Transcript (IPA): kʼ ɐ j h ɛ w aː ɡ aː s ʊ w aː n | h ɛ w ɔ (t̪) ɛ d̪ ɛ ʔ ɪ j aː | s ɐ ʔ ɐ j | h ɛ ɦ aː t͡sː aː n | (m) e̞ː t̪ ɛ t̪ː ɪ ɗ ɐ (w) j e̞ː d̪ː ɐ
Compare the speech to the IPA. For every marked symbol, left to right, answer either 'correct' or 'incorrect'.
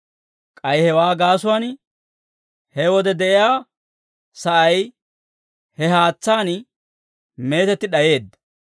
incorrect, correct, incorrect

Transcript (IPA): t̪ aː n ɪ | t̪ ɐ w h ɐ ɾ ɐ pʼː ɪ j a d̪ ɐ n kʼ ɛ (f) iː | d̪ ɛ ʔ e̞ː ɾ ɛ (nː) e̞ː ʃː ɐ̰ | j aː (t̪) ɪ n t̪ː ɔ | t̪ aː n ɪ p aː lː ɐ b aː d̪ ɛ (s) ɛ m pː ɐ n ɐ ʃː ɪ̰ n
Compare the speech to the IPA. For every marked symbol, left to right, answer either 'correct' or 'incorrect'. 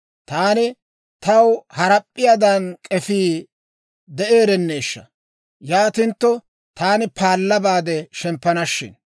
correct, correct, correct, incorrect

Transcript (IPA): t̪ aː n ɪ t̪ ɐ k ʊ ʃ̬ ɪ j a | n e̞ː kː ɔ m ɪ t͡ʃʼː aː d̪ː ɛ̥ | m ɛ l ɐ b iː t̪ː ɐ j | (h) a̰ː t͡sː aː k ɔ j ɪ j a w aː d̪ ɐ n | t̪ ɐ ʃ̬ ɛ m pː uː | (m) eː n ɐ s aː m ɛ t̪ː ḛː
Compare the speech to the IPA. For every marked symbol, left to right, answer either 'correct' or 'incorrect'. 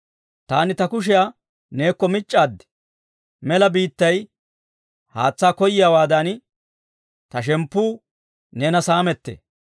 correct, incorrect

